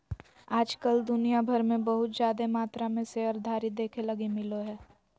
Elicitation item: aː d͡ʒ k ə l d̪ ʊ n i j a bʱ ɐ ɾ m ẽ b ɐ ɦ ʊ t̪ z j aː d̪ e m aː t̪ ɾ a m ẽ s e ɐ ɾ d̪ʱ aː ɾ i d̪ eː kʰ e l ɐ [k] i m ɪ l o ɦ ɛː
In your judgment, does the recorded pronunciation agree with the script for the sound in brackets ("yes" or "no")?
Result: no